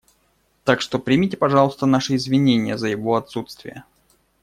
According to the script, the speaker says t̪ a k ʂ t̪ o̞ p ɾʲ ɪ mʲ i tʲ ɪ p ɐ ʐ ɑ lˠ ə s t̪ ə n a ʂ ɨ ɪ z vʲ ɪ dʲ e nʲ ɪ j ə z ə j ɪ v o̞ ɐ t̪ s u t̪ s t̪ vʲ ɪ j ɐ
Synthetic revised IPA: t̪ a k ʂ t̪ o̞ p ɾʲ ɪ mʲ i tʲ ɪ p ɐ ʐ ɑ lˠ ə s t̪ ə n a ʂ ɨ ɪ z vʲ ɪ nʲ e nʲ ɪ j ə z ə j ɪ v o̞ ɐ t̪ s u t̪ s t̪ vʲ ɪ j ə